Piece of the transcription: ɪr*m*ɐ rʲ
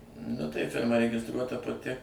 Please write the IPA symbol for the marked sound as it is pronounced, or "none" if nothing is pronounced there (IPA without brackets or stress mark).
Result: m